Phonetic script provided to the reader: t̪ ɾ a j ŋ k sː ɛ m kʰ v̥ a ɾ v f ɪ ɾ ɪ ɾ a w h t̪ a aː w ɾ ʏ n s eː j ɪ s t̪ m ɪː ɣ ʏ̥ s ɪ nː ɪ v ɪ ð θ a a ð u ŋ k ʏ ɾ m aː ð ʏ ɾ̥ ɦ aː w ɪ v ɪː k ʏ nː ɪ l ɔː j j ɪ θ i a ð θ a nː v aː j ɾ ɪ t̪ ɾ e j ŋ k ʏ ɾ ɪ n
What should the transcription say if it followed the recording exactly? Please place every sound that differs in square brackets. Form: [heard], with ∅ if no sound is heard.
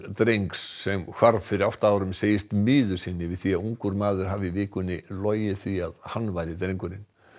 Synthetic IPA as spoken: t̪ ɾ [e] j ŋ k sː ɛ m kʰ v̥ a ɾ v f ɪ ɾ ɪ ɾ a w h t̪ a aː w ɾ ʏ [m] s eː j ɪ s t̪ m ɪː [ð] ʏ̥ s ɪ nː ɪ v ɪ ð θ [i] a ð u ŋ k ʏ ɾ m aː ð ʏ ɾ̥ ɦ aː [v] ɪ v ɪː k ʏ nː ɪ l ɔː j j ɪ θ i a ð [h] a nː v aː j ɾ ɪ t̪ ɾ e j ŋ k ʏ ɾ ɪ n